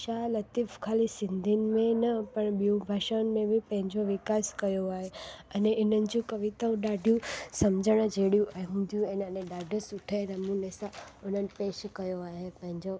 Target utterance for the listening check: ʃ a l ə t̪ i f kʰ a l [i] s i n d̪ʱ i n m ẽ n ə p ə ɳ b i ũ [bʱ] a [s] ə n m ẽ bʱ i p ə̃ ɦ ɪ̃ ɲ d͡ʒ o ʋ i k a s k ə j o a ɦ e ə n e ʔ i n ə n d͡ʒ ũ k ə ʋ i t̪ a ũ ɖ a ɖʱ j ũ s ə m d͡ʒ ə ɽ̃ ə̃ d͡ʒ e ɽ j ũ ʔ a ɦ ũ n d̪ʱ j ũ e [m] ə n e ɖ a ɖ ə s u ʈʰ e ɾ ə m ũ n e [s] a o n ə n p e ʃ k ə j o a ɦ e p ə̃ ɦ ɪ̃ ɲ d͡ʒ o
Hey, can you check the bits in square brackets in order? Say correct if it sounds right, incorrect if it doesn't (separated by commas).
correct, correct, incorrect, incorrect, correct